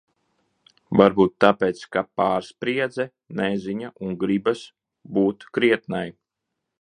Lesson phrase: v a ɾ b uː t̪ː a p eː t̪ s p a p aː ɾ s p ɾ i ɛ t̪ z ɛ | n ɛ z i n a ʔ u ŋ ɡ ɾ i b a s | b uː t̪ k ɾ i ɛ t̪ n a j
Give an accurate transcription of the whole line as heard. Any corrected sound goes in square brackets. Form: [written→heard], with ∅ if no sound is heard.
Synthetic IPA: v a ɾ b uː t̪ː a p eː t̪ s [p→k] a p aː ɾ s p ɾ i ɛ [t̪→d̪] z ɛ | n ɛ z i [n→ɲ] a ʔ u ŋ ɡ ɾ i b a s | b uː t̪ k ɾ i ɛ t̪ n a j